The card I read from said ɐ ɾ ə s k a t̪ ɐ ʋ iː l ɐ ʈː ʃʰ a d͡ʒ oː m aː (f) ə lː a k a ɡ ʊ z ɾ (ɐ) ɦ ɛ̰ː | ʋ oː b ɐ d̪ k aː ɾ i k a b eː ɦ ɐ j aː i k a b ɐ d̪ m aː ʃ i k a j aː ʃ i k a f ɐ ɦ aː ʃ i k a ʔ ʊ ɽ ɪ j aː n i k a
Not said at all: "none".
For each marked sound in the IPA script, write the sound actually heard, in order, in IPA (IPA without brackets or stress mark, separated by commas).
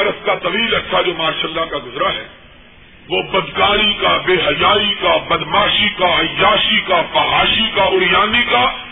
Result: ʃ, a